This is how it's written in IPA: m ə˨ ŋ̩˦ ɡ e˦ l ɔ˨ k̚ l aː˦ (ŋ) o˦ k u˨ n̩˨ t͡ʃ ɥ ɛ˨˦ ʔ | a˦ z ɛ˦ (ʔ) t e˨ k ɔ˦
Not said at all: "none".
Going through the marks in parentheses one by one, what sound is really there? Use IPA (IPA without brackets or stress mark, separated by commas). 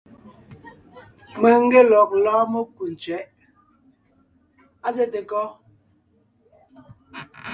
m, none